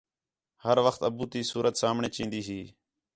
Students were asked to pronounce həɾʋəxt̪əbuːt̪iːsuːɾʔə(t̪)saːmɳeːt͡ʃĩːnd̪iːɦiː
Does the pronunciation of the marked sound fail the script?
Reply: no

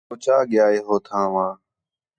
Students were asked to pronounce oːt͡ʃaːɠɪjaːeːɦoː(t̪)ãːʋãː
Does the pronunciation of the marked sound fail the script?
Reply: yes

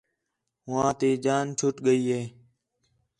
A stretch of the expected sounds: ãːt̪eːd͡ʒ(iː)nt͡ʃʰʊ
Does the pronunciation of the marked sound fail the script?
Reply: yes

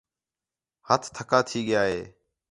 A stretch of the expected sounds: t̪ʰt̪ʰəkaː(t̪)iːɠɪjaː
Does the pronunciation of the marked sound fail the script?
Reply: yes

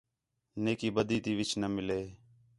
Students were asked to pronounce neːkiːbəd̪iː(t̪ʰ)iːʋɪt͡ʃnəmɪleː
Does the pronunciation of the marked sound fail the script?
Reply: yes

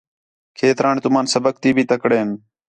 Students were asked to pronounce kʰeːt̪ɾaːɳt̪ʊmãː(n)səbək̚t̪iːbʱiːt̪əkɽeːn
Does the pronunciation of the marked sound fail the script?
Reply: no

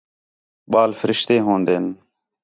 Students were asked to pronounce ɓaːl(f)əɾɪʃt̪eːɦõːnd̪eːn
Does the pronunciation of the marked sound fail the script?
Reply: no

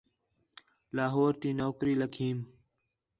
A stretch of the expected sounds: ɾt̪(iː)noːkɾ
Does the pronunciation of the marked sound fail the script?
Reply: no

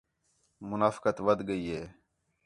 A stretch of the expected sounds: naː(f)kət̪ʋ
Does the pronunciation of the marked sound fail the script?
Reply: no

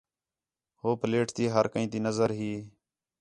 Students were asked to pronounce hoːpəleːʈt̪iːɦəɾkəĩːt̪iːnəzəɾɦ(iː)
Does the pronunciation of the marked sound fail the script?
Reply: no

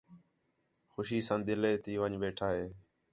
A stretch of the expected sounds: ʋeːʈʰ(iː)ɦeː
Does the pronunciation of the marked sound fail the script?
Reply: yes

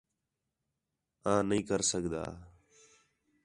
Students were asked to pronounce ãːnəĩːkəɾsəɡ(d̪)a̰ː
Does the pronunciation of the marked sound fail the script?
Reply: no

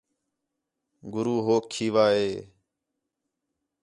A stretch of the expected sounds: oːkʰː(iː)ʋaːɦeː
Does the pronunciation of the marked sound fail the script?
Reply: no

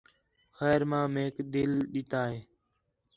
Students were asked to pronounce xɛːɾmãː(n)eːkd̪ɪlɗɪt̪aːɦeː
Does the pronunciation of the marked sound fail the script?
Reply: yes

